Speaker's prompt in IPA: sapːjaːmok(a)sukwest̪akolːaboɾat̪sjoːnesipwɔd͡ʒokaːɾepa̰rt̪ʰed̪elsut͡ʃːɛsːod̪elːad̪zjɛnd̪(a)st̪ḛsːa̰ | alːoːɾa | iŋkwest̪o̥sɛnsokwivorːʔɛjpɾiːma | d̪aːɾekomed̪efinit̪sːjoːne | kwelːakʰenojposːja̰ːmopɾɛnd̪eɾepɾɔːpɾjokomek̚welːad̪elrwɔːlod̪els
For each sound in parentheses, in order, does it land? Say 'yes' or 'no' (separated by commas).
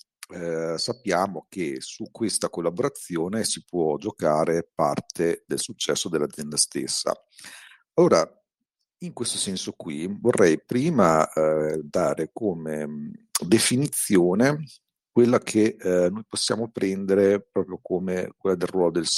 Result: no, yes